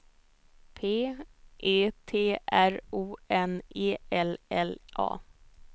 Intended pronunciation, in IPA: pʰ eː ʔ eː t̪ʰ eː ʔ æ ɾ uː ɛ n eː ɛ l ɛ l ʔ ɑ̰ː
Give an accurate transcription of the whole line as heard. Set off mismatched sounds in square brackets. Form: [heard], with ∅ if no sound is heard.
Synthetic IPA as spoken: pʰ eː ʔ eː t̪ʰ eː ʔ æ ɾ uː ɛ n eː ɛ l ɛ l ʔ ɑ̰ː